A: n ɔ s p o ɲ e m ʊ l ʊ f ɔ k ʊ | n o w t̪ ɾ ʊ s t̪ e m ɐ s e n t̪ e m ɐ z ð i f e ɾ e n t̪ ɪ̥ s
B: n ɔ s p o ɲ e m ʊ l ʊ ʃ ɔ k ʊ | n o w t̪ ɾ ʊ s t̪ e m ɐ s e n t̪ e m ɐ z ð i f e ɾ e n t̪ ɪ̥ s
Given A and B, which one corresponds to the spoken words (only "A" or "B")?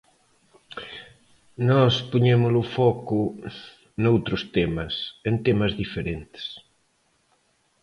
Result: A